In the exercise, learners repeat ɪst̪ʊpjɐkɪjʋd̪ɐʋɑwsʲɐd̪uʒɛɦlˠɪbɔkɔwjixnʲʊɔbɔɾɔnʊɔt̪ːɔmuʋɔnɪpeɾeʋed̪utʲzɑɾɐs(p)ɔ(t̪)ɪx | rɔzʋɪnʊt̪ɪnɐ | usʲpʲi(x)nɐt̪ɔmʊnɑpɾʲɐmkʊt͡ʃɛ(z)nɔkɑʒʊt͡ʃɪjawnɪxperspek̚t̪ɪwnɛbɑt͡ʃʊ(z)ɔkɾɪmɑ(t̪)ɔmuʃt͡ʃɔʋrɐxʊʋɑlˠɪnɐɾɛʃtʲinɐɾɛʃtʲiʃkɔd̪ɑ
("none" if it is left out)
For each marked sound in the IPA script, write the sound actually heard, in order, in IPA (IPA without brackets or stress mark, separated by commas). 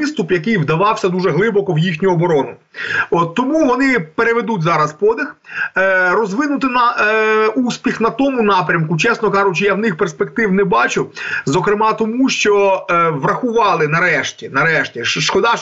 p, d̪, x, s, z, t̪